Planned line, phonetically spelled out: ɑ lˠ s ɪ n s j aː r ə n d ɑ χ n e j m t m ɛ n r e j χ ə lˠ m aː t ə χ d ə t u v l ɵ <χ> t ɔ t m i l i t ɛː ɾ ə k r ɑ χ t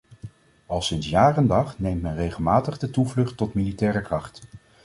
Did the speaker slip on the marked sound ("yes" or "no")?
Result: no